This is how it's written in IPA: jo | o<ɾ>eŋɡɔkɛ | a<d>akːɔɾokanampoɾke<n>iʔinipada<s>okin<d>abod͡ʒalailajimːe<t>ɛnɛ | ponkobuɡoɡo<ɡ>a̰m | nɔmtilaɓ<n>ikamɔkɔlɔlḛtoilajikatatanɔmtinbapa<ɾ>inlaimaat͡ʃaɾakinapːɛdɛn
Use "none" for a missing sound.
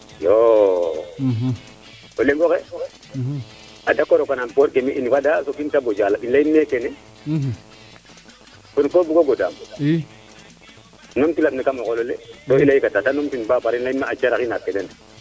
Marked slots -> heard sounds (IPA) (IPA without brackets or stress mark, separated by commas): l, d, m, s, t, k, d, n, ɾ